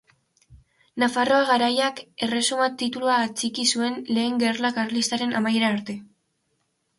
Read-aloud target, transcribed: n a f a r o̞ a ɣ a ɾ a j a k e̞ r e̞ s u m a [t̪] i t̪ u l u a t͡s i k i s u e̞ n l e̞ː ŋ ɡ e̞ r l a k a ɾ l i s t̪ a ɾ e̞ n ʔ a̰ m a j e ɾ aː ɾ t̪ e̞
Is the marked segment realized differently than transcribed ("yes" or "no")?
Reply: no